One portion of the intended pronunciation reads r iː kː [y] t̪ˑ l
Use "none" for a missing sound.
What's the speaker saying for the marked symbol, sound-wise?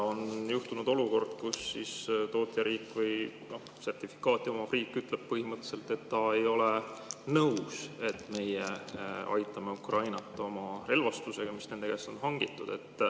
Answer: y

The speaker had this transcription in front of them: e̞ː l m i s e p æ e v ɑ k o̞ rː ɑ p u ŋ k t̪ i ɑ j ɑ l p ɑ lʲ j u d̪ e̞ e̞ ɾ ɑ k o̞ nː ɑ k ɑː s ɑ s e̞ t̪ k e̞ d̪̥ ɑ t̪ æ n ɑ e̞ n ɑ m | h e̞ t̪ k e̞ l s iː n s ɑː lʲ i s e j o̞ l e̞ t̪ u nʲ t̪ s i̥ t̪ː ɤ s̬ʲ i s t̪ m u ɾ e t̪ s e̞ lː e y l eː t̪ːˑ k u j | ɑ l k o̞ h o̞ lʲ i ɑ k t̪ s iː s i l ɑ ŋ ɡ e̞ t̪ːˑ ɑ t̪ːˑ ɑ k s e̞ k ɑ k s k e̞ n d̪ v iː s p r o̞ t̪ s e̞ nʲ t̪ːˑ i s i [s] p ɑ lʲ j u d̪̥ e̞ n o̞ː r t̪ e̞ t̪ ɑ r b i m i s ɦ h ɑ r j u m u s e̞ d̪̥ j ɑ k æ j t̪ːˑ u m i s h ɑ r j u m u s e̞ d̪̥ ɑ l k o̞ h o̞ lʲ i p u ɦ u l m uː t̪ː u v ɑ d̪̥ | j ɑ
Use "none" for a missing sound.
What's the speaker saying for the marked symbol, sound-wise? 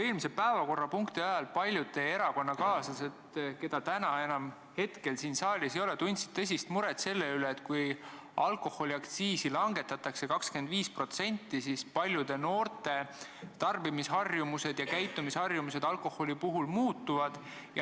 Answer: s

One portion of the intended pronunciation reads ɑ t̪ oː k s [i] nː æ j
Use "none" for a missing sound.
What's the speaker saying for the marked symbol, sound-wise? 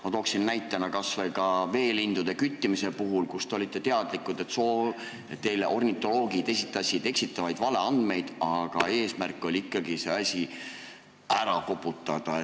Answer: i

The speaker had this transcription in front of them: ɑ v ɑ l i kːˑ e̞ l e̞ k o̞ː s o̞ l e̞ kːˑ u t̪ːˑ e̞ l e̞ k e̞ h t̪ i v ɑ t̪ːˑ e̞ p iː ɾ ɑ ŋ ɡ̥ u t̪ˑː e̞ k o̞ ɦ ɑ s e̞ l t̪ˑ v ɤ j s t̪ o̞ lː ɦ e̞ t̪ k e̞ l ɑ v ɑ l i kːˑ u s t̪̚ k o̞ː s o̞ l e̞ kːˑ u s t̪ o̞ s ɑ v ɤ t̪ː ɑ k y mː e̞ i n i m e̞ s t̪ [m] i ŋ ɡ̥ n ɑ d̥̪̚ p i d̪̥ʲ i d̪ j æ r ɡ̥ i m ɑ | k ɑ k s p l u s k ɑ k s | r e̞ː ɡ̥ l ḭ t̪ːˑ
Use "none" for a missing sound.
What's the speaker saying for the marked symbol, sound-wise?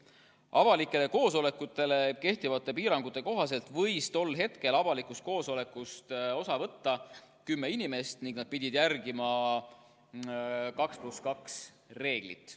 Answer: n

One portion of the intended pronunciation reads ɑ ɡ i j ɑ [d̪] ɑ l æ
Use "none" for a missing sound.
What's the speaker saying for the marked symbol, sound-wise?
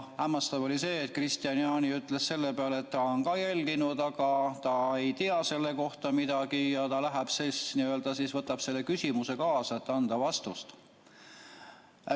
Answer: t̪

